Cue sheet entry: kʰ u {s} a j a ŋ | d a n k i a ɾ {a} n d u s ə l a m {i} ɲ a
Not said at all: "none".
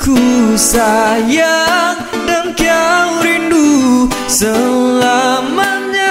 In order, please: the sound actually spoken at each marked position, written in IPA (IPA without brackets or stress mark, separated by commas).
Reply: s, i, a